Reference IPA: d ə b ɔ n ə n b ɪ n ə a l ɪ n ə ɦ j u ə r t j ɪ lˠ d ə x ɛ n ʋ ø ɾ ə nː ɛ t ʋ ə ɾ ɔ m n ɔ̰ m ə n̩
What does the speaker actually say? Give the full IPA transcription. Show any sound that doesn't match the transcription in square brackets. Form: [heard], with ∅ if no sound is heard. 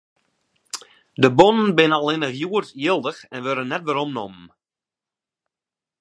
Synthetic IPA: d ə b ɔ n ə n b ɪ n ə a l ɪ n ə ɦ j u ə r t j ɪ lˠ d ə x ɛ n ʋ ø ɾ ə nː ɛ t ʋ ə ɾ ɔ m n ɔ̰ m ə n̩